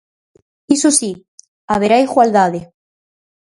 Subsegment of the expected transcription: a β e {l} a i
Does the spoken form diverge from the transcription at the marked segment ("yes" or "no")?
yes